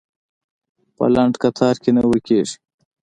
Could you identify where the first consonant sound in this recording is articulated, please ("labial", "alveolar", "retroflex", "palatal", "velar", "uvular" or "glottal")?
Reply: labial